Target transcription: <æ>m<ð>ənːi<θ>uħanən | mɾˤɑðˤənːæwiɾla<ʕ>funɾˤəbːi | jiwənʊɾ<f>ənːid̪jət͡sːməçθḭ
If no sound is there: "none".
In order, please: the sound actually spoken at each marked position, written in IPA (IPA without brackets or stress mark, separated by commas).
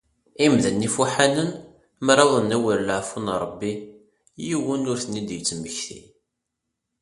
i, ð, f, ʕ, θ